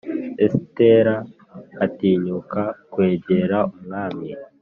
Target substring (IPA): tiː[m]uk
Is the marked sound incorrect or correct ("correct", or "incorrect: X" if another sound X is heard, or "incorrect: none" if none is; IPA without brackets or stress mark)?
incorrect: ɲ